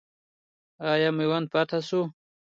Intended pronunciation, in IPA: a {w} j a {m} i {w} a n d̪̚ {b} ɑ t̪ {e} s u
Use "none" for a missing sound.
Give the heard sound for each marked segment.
none, m, w, p, a

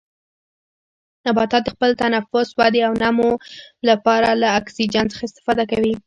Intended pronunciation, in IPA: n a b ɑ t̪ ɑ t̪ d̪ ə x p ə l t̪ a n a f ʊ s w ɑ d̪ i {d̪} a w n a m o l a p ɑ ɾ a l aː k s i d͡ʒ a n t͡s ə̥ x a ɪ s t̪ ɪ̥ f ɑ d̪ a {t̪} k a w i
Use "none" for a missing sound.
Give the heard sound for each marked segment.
none, none

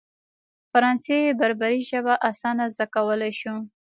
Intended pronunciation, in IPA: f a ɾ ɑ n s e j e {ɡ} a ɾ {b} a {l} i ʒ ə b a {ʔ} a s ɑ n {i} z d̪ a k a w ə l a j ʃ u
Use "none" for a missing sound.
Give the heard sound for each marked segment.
b, b, ɾ, ʔ, a

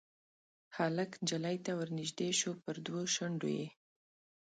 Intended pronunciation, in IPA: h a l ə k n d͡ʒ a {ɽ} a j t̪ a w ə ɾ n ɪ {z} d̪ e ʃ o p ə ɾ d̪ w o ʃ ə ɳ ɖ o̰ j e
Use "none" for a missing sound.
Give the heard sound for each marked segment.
l, ʒ

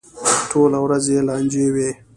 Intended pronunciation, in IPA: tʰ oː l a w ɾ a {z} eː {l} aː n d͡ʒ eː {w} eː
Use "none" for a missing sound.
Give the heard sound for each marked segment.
z, l, w

